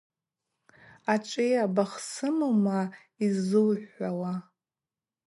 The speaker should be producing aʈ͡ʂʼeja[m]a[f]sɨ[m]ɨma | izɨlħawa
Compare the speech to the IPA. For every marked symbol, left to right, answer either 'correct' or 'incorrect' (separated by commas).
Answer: incorrect, incorrect, correct